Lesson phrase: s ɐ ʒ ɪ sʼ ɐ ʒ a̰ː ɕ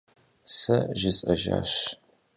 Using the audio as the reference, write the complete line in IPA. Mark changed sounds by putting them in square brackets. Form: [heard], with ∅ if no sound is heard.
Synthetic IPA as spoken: s ɐ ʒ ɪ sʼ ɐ ʒ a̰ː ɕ